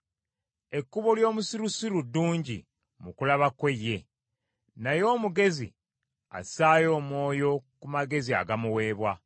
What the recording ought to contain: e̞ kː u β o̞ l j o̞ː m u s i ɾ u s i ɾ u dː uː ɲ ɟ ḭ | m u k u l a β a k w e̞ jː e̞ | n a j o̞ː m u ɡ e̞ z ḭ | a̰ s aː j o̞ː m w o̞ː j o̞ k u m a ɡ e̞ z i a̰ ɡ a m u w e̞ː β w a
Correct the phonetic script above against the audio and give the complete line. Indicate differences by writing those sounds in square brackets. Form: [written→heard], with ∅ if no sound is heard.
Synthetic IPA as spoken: e̞ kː u β o̞ l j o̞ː m u s i ɾ u s i ɾ u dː uː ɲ ɟ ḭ | m u k u l a β a k w e̞ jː e̞ | n a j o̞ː m u ɡ e̞ z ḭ | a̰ s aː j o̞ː m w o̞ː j o̞ k u m a ɡ e̞ z i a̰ ɡ a m u w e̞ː β w a

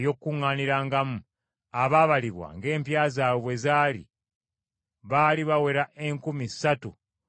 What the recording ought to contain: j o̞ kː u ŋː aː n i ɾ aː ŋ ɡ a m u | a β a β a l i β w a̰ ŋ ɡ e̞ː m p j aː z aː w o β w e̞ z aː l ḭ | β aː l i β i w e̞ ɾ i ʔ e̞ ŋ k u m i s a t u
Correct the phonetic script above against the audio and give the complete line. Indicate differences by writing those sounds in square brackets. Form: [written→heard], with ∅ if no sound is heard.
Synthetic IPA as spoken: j o̞ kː u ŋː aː n i ɾ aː ŋ ɡ a m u | a β a β a l i β w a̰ ŋ ɡ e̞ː m p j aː z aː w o β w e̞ z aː l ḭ | β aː l i β [i→a] w e̞ ɾ [i→a] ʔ e̞ ŋ k u m i s a t u

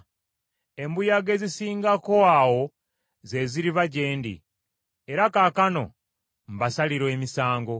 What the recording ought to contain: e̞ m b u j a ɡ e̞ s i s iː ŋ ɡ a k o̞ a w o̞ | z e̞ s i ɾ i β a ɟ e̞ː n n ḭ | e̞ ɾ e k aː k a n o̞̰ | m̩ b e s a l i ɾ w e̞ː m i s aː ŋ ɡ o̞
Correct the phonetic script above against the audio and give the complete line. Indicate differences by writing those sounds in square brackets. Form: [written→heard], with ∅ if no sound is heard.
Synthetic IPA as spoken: e̞ m b u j a ɡ e̞ [s→z] i s iː ŋ ɡ a k o̞ a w o̞ | z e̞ [s→z] i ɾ i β a ɟ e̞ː n [n→d] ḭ | e̞ ɾ [e→a] k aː k a n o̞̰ | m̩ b [e→a] s a l i ɾ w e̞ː m i s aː ŋ ɡ o̞

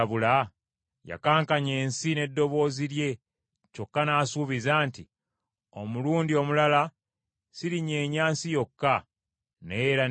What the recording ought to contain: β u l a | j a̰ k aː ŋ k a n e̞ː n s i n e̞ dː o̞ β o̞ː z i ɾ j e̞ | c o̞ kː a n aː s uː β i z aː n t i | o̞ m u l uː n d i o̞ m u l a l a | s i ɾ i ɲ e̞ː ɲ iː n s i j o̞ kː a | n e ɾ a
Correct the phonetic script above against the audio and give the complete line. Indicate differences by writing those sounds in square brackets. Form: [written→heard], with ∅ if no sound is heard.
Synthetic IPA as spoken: β u l a | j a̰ k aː ŋ k a [n→ɲ] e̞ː n s i n e̞ dː o̞ β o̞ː z i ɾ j e̞ | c o̞ kː a n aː s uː β i z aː n t i | o̞ m u l uː n d i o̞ m u l a l a | s i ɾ i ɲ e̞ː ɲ [iː→aː] n s i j o̞ kː a | n e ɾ a

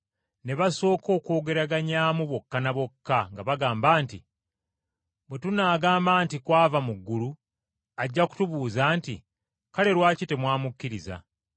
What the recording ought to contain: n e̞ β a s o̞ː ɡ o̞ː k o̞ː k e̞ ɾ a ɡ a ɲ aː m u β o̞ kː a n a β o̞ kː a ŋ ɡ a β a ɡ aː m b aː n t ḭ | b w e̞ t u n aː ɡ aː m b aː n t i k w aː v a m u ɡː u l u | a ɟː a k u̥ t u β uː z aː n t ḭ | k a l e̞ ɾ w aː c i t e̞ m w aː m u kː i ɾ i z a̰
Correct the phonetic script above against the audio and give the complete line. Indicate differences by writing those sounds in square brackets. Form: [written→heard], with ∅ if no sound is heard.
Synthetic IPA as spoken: n e̞ β a s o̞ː [ɡ→k] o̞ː k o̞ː [k→ɡ] e̞ ɾ a ɡ a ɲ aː m u β o̞ kː a n a β o̞ kː a ŋ ɡ a β a ɡ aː m b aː n t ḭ | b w e̞ t u n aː ɡ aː m b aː n t i k w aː v a m u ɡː u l u | a ɟː a k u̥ t u β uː z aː n t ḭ | k a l e̞ ɾ w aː c i t e̞ m w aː m u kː i ɾ i z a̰

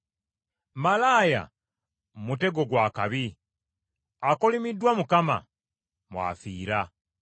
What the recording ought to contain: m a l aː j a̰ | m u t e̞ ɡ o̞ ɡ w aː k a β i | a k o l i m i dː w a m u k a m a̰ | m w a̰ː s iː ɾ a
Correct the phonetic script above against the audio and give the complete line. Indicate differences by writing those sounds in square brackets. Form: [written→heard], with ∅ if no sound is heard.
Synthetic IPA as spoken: m a l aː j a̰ | m u t e̞ ɡ o̞ ɡ w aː k a β i | a k o l i m i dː w a m u k a m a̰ | m w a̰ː [s→f] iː ɾ a

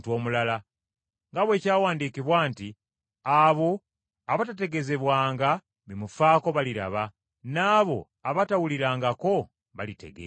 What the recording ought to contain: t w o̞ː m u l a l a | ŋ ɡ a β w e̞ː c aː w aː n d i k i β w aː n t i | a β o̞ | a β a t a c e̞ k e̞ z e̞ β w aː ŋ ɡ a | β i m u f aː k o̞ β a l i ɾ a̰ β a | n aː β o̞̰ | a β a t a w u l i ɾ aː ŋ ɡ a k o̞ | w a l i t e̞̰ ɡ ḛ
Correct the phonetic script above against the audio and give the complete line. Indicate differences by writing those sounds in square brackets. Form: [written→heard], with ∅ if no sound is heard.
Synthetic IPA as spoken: t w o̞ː m u l a l a | ŋ ɡ a β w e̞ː c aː w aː n d i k i β w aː n t i | a β o̞ | a β a t a [c→t] e̞ [k→ɡ] e̞ z e̞ β w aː ŋ ɡ a | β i m u f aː k o̞ β a l i ɾ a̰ β a | n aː β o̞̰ | a β a t a w u l i ɾ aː ŋ ɡ a k o̞ | [w→β] a l i t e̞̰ ɡ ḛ

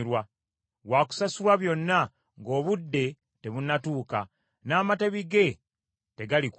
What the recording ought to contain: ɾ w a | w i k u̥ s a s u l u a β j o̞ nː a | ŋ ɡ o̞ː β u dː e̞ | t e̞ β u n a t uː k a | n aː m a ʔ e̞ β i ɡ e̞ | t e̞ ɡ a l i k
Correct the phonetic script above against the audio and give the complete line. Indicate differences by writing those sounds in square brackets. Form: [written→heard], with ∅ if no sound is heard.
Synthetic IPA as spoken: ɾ w a | w [i→a] k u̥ s a s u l [u→w] a β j o̞ nː a | ŋ ɡ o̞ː β u dː e̞ | t e̞ β u n a t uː k a | n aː m a [ʔ→t] e̞ β i ɡ e̞ | t e̞ ɡ a l i k

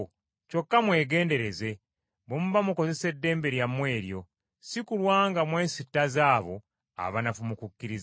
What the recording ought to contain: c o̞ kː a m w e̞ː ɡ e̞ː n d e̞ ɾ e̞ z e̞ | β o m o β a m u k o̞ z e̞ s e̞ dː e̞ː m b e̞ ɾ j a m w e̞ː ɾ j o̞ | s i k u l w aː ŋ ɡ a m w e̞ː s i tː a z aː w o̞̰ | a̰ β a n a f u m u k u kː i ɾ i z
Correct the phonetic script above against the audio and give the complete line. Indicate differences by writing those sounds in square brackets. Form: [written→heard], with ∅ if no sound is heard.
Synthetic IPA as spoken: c o̞ kː a m w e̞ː ɡ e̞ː n d e̞ ɾ e̞ z e̞ | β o m [o→u] β a m u k o̞ z e̞ s e̞ dː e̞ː m b e̞ ɾ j a m w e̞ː ɾ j o̞ | s i k u l w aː ŋ ɡ a m w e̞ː s i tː a z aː [w→β] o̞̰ | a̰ β a n a f u m u k u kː i ɾ i z

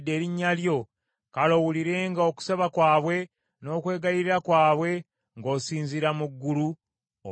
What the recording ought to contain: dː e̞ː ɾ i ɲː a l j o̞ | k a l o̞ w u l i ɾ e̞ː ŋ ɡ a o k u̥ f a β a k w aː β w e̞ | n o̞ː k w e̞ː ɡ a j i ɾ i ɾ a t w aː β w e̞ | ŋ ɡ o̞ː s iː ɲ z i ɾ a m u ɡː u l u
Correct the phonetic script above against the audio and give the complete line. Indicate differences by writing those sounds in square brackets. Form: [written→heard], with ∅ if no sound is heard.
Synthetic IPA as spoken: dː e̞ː ɾ i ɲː a l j o̞ | k a l o̞ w u l i ɾ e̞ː ŋ ɡ a o k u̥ [f→s] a β a k w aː β w e̞ | n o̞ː k w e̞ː ɡ a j i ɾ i ɾ a [t→k] w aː β w e̞ | ŋ ɡ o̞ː s iː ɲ z i ɾ a m u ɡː u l u

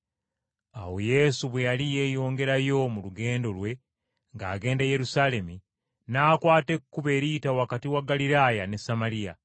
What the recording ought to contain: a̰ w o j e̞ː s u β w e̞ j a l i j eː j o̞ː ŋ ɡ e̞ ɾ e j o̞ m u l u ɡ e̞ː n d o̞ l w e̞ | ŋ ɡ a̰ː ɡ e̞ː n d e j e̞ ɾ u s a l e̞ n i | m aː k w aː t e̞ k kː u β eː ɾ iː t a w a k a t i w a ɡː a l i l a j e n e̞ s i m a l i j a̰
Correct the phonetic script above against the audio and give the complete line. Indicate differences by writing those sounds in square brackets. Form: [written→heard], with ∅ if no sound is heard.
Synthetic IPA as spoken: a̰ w o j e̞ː s u β w e̞ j a l i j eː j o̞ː ŋ ɡ e̞ ɾ [e→a] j o̞ m u l u ɡ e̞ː n d o̞ l w e̞ | ŋ ɡ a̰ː ɡ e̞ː n d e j e̞ ɾ u s a l e̞ [n→m] i | [m→n] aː k w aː t e̞ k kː u β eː ɾ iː t a w a k a t i w a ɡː a l i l a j [e→a] n e̞ s [i→a] m a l i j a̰

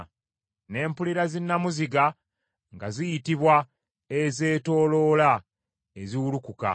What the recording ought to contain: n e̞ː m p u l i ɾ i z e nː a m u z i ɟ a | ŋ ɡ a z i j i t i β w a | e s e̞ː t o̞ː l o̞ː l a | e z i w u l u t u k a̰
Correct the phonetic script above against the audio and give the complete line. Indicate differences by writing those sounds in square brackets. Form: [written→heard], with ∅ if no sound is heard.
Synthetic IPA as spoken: n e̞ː m p u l i ɾ [i→a] z [e→i] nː a m u z i [ɟ→ɡ] a | ŋ ɡ a z i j i t i β w a | e [s→z] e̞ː t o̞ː l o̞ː l a | e z i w u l u [t→k] u k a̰

